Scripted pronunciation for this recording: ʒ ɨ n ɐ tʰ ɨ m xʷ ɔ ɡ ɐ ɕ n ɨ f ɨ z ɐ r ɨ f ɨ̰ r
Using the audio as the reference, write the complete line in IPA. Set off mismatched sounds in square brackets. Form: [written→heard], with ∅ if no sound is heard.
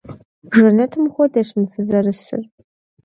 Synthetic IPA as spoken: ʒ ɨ n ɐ tʰ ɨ m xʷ ɔ [ɡ→d] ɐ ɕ [n→m] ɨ f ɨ z ɐ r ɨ [f→s] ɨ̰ r